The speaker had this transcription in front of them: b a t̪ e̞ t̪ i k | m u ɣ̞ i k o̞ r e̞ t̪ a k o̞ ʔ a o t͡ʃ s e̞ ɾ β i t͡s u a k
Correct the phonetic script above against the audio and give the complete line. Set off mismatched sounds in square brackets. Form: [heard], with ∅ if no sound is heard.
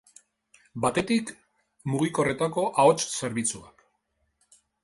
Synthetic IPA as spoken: b a t̪ e̞ t̪ i k | m u ɣ̞ i k o̞ r e̞ t̪ a k o̞ ʔ a o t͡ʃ s e̞ ɾ β i t͡s u a k